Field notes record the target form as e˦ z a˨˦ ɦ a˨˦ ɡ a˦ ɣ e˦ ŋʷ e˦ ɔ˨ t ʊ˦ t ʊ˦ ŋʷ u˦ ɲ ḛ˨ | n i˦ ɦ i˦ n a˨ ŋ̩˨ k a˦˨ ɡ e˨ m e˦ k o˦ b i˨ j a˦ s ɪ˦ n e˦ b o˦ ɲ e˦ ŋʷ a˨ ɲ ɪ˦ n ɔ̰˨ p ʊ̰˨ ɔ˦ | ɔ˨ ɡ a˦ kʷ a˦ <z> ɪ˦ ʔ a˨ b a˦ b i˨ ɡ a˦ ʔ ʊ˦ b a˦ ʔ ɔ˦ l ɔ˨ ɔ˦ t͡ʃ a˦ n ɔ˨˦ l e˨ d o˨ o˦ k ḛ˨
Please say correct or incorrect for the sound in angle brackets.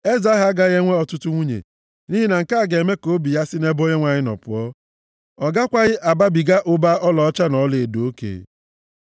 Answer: incorrect: ɣ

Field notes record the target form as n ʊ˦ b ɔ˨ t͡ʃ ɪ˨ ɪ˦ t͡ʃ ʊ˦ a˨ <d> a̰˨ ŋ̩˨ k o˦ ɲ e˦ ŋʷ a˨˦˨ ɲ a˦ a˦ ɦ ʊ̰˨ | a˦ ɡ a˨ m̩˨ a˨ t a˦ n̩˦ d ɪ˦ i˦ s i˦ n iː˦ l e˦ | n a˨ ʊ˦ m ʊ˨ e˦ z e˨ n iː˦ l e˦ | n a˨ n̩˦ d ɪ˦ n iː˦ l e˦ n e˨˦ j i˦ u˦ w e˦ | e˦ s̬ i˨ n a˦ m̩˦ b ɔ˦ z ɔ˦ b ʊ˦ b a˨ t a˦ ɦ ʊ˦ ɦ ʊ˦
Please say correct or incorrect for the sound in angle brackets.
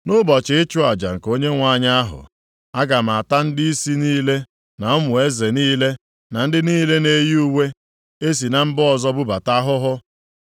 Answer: incorrect: d͡ʒ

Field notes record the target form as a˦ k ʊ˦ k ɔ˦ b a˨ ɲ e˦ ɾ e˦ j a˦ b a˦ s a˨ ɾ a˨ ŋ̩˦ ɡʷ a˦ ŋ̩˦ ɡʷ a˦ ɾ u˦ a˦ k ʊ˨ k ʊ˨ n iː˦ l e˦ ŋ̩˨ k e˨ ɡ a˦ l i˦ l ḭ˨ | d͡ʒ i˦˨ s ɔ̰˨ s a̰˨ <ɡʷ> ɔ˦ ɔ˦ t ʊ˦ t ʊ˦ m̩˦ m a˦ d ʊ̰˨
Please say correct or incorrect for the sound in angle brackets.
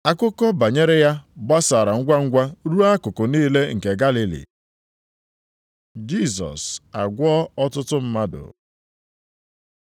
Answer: correct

